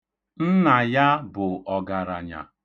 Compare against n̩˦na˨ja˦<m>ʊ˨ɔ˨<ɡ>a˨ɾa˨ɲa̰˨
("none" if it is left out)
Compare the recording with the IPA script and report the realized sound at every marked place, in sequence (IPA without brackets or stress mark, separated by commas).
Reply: b, ɡ